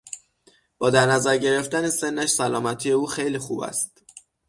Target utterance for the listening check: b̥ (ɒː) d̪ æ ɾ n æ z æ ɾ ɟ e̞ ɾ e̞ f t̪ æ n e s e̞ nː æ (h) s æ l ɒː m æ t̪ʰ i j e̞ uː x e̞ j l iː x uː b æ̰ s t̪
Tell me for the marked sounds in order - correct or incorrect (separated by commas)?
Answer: correct, incorrect